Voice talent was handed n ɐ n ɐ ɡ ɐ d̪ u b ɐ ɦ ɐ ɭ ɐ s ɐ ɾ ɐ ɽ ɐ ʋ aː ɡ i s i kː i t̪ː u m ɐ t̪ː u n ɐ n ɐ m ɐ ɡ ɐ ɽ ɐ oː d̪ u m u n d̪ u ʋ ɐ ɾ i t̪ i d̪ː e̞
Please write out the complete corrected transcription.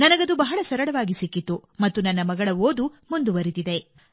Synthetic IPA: n ɐ n ɐ ɡ ɐ d̪ u b ɐ ɦ ɐ ɭ ɐ s ɐ ɾ ɐ ɽ ɐ ʋ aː ɡ i s i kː i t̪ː u m ɐ t̪ː u n ɐ nː ɐ m ɐ ɡ ɐ ɭ ɐ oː d̪ u m u n d̪ u ʋ ɐ ɾ i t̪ i d̪ e̞

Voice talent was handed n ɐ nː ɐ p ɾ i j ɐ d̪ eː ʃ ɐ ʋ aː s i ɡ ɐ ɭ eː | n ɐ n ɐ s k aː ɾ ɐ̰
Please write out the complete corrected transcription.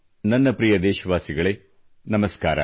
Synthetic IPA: n ɐ nː ɐ p ɾ i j ɐ d̪ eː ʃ ɐ ʋ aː s i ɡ ɐ ɭ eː | n ɐ m ɐ s k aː ɾ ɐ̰

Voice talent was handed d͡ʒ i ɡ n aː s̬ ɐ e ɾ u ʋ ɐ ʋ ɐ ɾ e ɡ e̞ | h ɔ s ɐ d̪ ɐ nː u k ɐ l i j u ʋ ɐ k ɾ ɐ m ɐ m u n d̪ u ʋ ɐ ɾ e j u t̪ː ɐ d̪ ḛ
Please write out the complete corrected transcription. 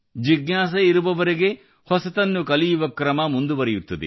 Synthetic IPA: d͡ʒ i ɡ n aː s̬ ɐ i ɾ u ʋ ɐ ʋ ɐ ɾ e ɡ e̞ | h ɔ s ɐ t̪ ɐ nː u k ɐ l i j u ʋ ɐ k ɾ ɐ m ɐ m u n d̪ u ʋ ɐ ɾ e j u t̪ː ɐ d̪ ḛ

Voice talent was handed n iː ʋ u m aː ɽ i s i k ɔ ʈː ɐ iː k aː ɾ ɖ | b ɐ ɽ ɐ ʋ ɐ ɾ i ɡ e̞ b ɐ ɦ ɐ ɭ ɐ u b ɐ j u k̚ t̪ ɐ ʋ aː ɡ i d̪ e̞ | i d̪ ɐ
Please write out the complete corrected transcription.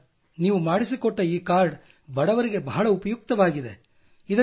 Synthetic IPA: n iː ʋ u m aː ɽ i s i k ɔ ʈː ɐ iː k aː ɾ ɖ | b ɐ ɽ ɐ ʋ ɐ ɾ i ɡ e̞ b ɐ ɦ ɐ ɭ ɐ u p ɐ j u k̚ t̪ ɐ ʋ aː ɡ i d̪ e̞ | i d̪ ɐ

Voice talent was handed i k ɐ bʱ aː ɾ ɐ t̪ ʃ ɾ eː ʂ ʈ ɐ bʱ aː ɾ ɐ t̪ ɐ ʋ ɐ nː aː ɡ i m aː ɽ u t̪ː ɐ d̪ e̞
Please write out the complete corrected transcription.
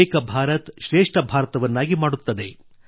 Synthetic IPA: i k ɐ bʱ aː ɾ ɐ t̪ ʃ ɾ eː ʂ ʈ ɐ bʱ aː ɾ ɐ t̪ ɐ ʋ ɐ nː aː ɡ i m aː ɽ u t̪ː ɐ d̪ e̞

